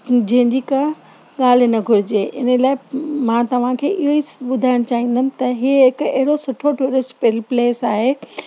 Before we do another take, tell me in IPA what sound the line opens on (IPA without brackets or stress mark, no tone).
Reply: d͡ʑ